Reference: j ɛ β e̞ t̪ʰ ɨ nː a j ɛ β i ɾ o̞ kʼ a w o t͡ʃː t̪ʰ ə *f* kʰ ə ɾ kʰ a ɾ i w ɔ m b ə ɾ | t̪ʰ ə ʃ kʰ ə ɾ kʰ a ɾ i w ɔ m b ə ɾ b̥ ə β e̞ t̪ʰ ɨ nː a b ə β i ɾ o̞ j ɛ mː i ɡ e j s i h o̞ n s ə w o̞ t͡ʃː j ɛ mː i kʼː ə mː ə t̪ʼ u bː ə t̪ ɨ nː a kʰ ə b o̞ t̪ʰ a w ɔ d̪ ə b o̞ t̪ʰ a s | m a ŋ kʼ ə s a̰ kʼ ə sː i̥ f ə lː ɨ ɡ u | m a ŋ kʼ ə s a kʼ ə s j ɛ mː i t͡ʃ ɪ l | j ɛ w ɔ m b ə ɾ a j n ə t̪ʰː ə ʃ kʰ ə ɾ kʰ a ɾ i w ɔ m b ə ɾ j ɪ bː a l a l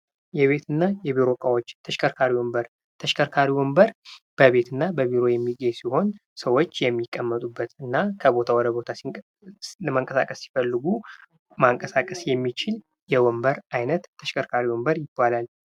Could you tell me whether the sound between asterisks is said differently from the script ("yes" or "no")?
yes